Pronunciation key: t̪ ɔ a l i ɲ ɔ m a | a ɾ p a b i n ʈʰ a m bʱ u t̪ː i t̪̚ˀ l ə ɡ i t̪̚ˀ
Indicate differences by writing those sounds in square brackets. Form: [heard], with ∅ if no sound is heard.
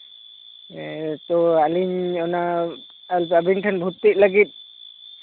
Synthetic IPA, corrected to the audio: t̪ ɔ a l i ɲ ɔ [n] a | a [l] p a b i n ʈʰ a [n] bʱ u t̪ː i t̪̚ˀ l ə ɡ i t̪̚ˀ